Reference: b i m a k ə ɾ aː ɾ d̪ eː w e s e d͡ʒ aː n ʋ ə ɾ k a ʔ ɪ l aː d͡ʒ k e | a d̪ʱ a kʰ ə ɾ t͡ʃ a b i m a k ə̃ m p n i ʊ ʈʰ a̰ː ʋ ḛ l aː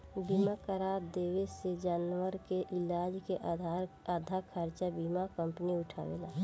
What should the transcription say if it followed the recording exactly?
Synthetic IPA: b i m a k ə ɾ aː ɾ d̪ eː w e s e d͡ʒ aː n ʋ ə ɾ k e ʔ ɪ l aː d͡ʒ k e | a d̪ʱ a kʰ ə ɾ t͡ʃ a b i m a k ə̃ m p n i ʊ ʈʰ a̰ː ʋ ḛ l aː